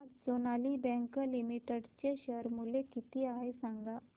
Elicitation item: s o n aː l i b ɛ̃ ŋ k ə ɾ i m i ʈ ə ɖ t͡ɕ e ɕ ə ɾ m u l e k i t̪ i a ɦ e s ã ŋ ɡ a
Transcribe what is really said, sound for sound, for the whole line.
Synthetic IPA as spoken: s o n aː l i b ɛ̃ ŋ k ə l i m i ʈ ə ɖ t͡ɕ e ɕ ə ɾ m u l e k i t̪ i a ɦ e s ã ŋ ɡ a